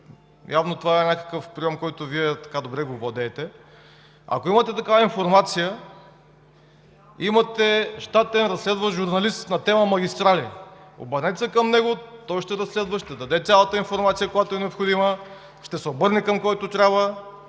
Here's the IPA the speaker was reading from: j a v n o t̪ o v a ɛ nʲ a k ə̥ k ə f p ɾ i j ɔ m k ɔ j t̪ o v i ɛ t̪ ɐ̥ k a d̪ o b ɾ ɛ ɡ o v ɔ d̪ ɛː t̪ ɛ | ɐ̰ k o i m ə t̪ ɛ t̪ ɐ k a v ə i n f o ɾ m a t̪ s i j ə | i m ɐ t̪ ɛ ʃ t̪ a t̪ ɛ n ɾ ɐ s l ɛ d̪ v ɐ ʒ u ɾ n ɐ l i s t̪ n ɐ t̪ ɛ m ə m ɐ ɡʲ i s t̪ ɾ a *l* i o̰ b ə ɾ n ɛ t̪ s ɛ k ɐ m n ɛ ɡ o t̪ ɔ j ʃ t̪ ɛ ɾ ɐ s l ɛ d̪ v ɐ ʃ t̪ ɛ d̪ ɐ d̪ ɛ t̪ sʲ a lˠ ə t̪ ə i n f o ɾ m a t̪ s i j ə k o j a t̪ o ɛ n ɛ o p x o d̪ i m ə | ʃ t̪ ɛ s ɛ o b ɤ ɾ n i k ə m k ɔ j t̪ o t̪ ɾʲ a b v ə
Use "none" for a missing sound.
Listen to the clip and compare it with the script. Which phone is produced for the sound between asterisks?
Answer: l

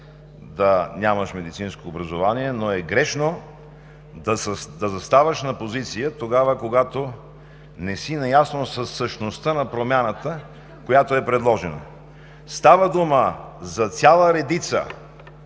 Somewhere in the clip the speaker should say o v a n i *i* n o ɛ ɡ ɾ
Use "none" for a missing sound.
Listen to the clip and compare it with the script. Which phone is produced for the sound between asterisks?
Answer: ɛ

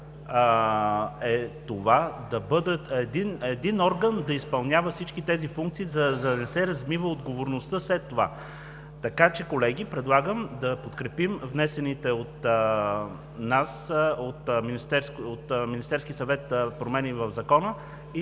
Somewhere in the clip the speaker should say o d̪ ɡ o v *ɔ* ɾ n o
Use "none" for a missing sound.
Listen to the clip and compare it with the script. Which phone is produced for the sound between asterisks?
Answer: o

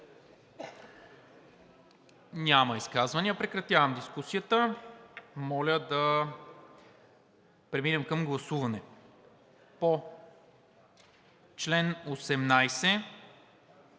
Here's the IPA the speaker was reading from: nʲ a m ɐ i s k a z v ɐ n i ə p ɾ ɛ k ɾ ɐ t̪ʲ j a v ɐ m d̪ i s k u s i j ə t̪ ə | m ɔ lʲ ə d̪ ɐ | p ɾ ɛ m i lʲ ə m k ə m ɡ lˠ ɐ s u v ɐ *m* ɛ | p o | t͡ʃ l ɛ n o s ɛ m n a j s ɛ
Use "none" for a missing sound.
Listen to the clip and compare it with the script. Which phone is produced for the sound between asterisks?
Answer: n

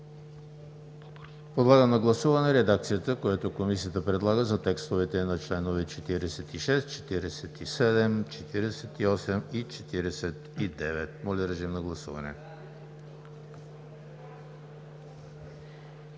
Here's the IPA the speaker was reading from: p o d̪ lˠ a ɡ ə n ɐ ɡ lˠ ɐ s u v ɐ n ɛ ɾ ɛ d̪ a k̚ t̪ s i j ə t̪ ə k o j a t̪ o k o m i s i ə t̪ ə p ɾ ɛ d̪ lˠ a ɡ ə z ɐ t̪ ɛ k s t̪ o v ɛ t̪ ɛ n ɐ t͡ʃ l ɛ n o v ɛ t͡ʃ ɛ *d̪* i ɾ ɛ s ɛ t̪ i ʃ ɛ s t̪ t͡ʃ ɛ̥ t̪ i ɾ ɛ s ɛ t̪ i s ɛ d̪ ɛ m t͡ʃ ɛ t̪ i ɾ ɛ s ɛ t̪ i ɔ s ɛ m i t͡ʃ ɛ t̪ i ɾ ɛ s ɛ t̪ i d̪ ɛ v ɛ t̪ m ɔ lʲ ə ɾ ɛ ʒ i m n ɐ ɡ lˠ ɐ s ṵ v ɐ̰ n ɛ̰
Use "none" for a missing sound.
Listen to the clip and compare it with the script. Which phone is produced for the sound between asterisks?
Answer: t̪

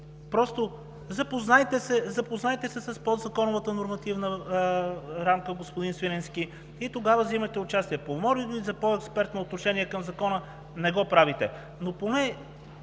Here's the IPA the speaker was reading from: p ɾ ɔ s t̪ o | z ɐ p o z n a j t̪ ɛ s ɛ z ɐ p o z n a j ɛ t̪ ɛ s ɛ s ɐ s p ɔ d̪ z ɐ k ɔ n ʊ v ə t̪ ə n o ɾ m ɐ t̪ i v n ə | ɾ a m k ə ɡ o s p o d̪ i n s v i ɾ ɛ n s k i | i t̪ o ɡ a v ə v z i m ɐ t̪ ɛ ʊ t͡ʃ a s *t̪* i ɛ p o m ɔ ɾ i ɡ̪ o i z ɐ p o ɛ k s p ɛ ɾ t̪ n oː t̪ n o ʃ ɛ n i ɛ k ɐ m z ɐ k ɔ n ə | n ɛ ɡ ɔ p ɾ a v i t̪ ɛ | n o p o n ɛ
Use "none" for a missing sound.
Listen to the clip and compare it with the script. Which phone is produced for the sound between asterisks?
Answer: t̪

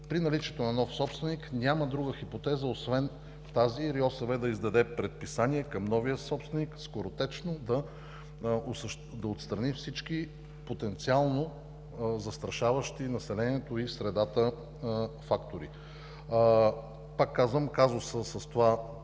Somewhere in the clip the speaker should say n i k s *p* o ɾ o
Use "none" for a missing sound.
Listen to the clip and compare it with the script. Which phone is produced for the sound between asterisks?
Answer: k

